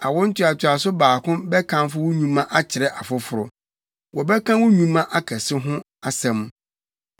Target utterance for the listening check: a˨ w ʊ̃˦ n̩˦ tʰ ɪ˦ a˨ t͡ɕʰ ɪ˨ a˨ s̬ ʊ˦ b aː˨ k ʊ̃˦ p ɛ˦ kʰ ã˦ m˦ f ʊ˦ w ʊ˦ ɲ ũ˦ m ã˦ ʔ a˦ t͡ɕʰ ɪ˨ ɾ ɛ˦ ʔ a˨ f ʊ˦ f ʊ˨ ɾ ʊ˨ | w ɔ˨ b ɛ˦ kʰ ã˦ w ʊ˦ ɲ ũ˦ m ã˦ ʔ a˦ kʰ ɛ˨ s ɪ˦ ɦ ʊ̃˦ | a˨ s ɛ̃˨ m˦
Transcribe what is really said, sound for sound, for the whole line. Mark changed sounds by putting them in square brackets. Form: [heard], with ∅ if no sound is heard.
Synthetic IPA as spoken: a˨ w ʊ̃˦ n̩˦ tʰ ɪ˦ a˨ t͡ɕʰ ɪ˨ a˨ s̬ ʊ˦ b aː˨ k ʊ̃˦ [b] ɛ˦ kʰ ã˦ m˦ f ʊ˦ w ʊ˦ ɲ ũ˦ m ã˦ ʔ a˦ t͡ɕʰ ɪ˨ ɾ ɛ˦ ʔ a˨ f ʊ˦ f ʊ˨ ɾ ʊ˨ | w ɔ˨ b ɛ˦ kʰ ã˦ w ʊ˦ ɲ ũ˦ m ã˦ ʔ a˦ kʰ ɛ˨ s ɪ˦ ɦ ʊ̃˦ | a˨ s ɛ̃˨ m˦